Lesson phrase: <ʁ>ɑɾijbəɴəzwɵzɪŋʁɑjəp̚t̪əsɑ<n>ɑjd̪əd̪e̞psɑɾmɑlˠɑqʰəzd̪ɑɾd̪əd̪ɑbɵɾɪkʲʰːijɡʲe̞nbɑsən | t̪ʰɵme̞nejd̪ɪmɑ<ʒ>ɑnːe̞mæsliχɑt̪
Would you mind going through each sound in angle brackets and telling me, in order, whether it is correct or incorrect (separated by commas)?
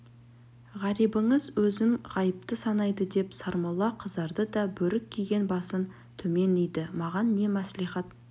correct, correct, incorrect